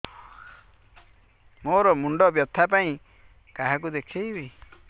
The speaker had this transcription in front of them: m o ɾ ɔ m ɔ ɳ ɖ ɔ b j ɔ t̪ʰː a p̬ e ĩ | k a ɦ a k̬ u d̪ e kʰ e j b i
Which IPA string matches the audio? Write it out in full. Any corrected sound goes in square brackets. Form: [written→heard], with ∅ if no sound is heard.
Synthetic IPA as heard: m o ɾ ɔ m [ɔ→u] ɳ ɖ ɔ b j ɔ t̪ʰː a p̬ [e→a] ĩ | k a ɦ a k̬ u d̪ e kʰ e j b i